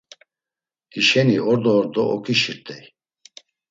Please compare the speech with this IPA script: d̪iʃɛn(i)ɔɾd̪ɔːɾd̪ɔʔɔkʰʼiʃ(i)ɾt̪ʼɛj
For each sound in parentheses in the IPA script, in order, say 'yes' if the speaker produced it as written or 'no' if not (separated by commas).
yes, yes